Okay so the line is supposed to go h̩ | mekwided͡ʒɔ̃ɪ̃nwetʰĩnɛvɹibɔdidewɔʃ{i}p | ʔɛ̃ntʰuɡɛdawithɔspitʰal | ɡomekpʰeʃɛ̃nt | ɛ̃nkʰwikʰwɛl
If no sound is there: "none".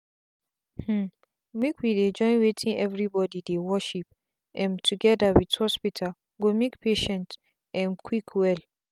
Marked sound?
i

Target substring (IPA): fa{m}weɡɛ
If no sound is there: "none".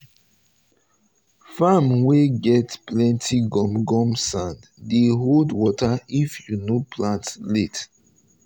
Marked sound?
m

